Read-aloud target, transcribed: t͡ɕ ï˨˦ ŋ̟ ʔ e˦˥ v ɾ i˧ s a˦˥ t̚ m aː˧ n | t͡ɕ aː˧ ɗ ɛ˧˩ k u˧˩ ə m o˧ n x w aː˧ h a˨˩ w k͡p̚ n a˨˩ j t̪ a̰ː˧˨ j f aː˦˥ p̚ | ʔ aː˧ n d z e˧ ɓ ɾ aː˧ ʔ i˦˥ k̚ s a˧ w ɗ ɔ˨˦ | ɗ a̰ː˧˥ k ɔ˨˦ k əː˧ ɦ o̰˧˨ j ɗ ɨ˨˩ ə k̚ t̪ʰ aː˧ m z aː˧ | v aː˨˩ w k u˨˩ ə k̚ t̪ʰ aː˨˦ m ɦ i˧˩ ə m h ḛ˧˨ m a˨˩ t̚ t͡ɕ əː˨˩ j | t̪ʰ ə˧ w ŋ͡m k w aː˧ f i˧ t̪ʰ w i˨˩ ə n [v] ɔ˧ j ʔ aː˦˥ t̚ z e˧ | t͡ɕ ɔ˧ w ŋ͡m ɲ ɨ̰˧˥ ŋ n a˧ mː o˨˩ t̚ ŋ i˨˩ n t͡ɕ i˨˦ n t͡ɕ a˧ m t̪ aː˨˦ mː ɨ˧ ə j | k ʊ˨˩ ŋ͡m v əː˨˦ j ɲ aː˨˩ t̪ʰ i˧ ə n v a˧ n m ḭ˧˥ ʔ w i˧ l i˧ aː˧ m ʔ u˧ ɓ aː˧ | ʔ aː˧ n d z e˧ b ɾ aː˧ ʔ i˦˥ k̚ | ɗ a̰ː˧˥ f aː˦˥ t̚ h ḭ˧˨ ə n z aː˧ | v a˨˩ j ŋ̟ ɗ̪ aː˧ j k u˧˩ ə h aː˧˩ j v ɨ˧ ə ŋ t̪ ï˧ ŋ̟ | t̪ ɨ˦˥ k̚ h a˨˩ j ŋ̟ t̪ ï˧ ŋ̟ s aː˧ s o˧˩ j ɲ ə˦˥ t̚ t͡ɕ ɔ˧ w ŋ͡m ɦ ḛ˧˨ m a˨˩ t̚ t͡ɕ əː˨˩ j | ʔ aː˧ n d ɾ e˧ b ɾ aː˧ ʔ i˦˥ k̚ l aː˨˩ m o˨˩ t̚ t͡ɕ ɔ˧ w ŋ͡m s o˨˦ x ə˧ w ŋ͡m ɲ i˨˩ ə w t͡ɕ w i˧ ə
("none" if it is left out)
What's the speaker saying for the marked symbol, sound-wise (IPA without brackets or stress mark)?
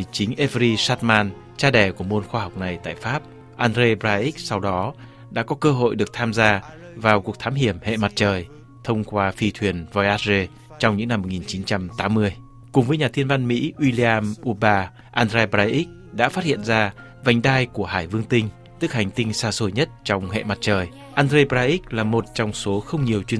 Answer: v